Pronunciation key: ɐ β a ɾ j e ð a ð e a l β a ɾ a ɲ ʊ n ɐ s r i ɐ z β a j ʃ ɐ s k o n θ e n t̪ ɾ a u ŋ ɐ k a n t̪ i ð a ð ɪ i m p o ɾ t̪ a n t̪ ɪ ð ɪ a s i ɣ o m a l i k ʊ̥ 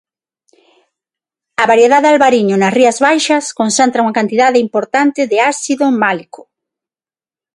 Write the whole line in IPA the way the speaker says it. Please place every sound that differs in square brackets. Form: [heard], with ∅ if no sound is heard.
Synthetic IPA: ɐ β a ɾ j e ð a ð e a l β a ɾ [i] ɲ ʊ n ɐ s r i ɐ z β a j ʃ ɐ s k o n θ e n t̪ ɾ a u ŋ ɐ k a n t̪ i ð a ð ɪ i m p o ɾ t̪ a n t̪ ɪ ð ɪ a s i [ð] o m a l i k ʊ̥

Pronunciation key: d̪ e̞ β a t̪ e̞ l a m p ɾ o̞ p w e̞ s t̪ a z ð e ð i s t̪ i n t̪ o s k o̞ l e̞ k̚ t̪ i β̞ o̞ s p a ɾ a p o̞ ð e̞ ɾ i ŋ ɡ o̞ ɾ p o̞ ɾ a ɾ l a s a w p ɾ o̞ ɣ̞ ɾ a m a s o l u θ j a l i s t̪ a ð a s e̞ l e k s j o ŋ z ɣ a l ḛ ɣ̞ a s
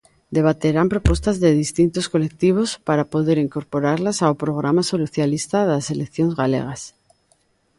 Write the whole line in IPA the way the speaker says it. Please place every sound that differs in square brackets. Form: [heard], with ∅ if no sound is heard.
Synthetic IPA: d̪ e̞ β a t̪ e̞ [ɾ] a m p ɾ o̞ p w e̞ s t̪ a z ð e ð i s t̪ i n t̪ o s k o̞ l e̞ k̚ t̪ i β̞ o̞ s p a ɾ a p o̞ ð e̞ ɾ i ŋ [k] o̞ ɾ p o̞ ɾ a ɾ l a s a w p ɾ o̞ ɣ̞ ɾ a m a s o l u θ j a l i s t̪ a ð a s e̞ l e k [θ] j o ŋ z ɣ a l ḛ ɣ̞ a s

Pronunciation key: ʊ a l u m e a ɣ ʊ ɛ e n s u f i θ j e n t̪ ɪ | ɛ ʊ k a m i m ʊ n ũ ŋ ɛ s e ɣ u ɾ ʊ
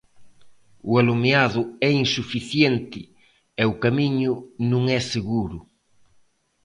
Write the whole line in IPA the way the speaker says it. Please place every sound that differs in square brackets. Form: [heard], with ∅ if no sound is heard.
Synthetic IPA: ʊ a l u m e a [ð] ʊ ɛ [i] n s u f i θ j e n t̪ ɪ | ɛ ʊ k a m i [ɲ] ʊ n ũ ŋ ɛ s e ɣ u ɾ ʊ

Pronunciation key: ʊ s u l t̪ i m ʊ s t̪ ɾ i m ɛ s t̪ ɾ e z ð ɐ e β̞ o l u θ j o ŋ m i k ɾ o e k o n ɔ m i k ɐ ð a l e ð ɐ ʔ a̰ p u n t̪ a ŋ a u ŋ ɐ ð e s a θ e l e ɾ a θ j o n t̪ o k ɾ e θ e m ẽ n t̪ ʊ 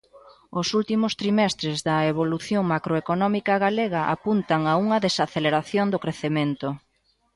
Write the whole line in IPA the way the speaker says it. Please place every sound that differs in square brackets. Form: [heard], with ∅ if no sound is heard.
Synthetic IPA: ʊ s u l t̪ i m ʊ s t̪ ɾ i m ɛ s t̪ ɾ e z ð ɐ e β̞ o l u θ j o ŋ m [a] k ɾ o e k o n ɔ m i k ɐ [ɣ] a l e [ɣ] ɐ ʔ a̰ p u n t̪ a ŋ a u ŋ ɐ ð e s a θ e l e ɾ a θ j o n [d̪] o k ɾ e θ e m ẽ n t̪ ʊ

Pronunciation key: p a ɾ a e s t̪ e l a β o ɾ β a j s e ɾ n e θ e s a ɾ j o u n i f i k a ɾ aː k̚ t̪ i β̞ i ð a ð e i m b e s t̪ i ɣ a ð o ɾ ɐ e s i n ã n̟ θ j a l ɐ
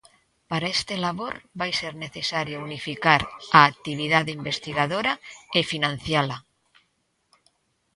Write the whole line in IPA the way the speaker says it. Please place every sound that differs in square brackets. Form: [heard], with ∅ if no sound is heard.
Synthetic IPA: p a ɾ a e s t̪ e l a β o ɾ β a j s e ɾ n e θ e s a ɾ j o u n i f i k a ɾ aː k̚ t̪ i β̞ i ð a ð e i m b e s t̪ i ɣ a ð o ɾ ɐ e [f] i n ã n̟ θ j a l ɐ

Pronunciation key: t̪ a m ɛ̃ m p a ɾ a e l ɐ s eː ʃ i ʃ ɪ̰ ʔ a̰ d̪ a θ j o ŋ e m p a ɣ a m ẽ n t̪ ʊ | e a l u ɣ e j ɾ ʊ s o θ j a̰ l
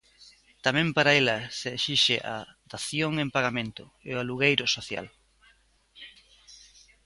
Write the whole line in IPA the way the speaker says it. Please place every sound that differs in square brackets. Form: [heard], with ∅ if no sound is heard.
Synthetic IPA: t̪ a m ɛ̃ m p a ɾ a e l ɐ s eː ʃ i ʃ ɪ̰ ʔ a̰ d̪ a θ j o ŋ e m p a ɣ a m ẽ n t̪ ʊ | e a l u ɣ e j ɾ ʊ s o θ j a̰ l

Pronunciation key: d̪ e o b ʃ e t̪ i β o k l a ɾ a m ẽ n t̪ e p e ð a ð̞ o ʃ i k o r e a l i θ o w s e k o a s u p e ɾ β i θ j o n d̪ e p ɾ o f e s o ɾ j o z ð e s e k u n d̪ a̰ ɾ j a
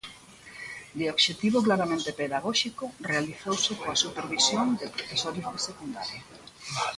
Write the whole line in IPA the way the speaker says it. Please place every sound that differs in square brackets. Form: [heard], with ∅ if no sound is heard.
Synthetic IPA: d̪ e o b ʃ e t̪ i β o k l a ɾ a m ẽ n t̪ e p e ð a [ɣ̞] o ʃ i k o r e a l i θ o w s e k o a s u p e ɾ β i [s] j o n d̪ e p ɾ o f e s o ɾ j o z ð e s e k u n d̪ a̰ ɾ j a

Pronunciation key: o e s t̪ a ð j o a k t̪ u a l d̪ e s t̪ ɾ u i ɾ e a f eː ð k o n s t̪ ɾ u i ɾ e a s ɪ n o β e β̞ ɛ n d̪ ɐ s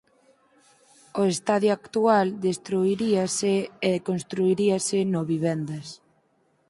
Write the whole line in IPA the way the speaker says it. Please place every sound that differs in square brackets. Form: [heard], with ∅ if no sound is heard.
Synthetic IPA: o e s t̪ a ð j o a k t̪ u a l d̪ e s t̪ ɾ u i ɾ [i] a [s] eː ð k o n s t̪ ɾ u i ɾ [i] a s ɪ n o β [i] β̞ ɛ n d̪ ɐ s

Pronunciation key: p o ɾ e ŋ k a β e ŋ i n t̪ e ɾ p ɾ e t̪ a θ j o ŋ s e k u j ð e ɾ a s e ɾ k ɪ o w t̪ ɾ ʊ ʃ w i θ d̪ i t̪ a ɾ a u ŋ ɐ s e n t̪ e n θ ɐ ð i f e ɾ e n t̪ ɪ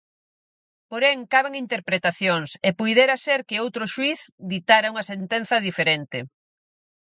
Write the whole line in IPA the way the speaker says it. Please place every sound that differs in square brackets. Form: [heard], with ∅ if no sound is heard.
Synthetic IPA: p o ɾ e ŋ k a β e ŋ i n t̪ e ɾ p ɾ e t̪ a θ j o ŋ s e [p] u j ð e ɾ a s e ɾ k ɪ o w t̪ ɾ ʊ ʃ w i θ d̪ i t̪ a ɾ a u ŋ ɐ s e n t̪ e n θ ɐ ð i f e ɾ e n t̪ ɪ

